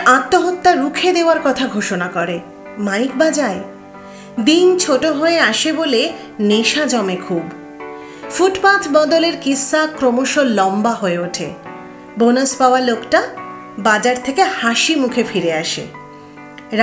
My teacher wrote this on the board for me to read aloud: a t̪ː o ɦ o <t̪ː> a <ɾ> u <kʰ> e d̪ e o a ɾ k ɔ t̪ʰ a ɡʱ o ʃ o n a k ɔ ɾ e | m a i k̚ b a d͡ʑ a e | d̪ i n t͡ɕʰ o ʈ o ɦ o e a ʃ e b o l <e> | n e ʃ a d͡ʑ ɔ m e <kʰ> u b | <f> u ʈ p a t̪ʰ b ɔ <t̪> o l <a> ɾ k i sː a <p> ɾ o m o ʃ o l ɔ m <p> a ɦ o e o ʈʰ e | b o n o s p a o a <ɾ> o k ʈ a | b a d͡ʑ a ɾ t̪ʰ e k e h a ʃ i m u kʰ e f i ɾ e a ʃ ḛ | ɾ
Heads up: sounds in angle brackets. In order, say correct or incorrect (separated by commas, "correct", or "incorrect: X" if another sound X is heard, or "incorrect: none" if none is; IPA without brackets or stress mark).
correct, correct, correct, correct, correct, correct, incorrect: d̪, incorrect: e, incorrect: k, incorrect: b, incorrect: l